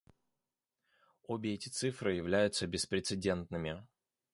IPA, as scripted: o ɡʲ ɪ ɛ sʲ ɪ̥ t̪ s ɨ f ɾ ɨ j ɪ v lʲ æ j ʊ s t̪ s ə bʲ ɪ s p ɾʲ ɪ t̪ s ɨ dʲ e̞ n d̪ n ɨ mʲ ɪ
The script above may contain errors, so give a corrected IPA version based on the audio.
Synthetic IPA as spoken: o bʲ ɪ ɛ tʲ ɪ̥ t̪ s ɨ f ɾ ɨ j ɪ v lʲ æ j ʊ t̪ s ə bʲ ɪ s p ɾʲ ɪ t̪ s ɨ dʲ e̞ n t̪ n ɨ mʲ ɪ